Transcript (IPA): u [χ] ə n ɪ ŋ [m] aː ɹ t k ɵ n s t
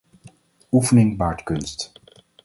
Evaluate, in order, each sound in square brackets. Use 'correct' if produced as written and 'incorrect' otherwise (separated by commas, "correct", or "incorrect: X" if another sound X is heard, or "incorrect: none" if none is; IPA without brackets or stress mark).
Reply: incorrect: f, incorrect: b